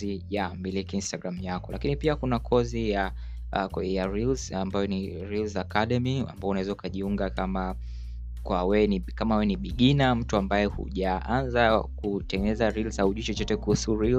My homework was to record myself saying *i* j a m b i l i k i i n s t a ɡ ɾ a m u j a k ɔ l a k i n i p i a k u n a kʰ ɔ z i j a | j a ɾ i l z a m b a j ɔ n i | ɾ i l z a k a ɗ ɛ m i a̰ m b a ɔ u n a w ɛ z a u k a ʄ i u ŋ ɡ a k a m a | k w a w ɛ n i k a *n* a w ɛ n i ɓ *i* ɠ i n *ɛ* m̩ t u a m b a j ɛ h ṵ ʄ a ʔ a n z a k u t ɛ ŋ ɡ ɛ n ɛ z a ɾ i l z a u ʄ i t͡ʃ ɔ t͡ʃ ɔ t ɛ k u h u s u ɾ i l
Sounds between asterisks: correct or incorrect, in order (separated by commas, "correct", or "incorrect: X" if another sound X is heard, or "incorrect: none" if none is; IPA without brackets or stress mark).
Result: correct, incorrect: m, correct, incorrect: a